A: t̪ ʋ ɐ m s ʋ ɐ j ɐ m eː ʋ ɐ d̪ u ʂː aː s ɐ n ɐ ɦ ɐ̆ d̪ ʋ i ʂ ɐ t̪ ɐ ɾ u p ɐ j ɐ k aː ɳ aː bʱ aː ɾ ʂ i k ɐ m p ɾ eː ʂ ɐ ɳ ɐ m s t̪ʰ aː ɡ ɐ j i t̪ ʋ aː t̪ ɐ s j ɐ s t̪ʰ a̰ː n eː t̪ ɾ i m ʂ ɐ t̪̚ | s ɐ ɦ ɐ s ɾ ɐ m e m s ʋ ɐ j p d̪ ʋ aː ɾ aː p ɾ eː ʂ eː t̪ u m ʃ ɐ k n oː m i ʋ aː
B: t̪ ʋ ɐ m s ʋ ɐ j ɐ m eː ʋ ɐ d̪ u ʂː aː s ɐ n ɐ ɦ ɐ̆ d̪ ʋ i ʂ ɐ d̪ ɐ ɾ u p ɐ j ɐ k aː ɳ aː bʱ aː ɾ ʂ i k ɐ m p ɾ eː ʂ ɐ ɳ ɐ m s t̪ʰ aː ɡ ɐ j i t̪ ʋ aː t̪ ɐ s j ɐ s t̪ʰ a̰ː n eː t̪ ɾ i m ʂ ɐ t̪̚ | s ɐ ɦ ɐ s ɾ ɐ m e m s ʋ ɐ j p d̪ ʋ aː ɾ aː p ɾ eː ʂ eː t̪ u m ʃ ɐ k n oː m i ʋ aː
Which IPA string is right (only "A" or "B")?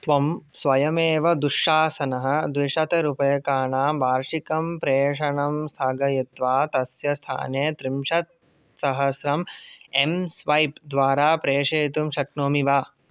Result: A